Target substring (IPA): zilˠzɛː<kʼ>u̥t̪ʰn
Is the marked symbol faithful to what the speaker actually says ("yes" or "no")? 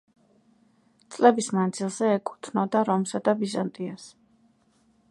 yes